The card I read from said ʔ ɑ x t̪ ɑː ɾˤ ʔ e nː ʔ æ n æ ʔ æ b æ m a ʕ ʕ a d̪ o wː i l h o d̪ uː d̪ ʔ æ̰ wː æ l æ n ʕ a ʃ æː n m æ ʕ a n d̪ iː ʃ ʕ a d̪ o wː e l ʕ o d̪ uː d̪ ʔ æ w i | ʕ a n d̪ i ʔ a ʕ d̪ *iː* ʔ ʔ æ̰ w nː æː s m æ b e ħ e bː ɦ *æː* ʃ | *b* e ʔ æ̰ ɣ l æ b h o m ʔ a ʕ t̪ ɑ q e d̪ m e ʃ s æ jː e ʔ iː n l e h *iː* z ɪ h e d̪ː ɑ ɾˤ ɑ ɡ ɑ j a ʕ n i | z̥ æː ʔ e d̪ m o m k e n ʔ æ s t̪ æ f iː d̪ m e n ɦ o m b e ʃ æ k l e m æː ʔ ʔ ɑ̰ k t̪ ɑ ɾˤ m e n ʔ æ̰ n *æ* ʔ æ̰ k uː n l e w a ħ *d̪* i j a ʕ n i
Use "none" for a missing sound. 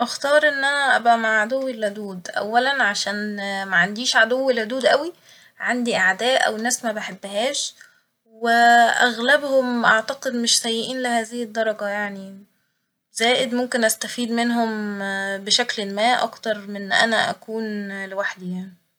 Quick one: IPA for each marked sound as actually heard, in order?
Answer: æː, æː, w, æː, æ, d̪

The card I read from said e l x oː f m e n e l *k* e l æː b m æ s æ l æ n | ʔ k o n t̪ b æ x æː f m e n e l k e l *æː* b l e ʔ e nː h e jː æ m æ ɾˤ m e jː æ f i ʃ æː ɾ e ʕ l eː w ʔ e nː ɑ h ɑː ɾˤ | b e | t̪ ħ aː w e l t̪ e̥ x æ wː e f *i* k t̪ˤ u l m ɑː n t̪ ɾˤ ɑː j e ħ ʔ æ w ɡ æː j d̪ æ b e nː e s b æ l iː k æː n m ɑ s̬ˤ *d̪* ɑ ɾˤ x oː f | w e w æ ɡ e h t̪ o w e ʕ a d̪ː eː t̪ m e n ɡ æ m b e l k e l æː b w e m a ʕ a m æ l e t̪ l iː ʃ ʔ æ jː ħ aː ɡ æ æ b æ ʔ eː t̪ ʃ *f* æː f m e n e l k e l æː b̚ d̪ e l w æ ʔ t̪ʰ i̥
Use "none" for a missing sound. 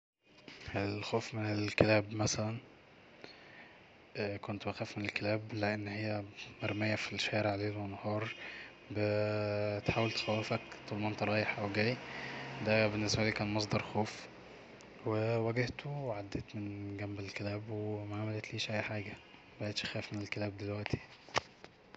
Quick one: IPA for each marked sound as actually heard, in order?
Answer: k, æː, æ, d̪, x

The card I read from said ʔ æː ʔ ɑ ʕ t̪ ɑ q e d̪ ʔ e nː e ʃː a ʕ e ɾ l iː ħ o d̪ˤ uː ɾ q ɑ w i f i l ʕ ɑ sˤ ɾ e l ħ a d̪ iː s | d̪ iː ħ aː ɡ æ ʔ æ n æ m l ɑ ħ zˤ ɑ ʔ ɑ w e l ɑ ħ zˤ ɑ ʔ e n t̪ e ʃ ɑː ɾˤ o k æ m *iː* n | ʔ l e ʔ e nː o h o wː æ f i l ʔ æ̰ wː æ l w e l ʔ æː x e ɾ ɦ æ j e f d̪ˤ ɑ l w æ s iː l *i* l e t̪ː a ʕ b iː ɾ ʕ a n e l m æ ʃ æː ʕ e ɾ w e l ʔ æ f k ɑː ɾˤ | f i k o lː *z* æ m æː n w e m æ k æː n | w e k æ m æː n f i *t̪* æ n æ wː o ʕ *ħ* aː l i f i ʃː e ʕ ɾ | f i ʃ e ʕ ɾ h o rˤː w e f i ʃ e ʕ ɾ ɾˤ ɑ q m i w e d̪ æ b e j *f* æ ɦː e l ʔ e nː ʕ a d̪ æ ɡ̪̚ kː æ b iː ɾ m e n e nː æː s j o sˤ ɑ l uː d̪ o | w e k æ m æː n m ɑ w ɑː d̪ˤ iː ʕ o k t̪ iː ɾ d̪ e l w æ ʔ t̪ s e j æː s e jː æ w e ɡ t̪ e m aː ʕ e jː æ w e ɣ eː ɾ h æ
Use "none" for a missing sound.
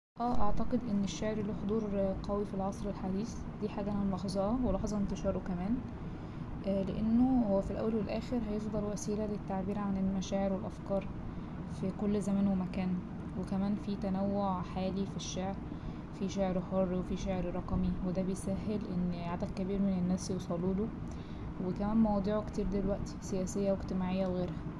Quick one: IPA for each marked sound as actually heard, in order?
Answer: æː, æ, z, t̪, ħ, s

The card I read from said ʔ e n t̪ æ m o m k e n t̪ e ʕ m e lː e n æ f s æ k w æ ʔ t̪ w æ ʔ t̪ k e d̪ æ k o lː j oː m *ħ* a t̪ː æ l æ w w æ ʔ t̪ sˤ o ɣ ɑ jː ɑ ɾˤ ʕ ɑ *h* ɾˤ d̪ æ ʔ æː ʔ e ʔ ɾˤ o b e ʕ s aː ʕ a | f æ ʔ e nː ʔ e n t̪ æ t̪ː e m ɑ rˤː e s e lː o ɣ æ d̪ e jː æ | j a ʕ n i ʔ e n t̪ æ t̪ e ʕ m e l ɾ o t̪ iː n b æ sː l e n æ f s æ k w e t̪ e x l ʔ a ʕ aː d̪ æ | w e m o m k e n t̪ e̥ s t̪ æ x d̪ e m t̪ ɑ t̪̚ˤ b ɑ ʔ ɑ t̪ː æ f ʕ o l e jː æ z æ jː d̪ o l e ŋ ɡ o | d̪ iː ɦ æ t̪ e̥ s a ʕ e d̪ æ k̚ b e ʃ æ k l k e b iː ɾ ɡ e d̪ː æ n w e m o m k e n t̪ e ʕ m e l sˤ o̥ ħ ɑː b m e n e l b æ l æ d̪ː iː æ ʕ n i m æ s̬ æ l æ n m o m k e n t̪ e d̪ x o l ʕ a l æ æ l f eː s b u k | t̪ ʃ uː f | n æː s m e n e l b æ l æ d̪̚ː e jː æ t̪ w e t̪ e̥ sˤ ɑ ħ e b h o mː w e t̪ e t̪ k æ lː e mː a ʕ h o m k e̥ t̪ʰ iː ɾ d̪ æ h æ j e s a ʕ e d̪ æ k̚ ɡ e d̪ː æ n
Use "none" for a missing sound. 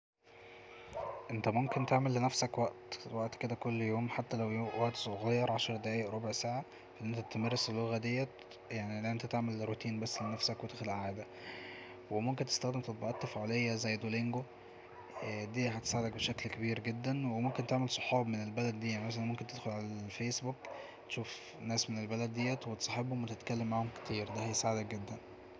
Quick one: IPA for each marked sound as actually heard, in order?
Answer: ħ, ʃ

